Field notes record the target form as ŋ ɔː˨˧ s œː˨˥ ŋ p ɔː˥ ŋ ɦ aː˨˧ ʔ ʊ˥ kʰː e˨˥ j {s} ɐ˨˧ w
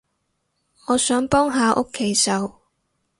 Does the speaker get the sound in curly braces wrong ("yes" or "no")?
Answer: no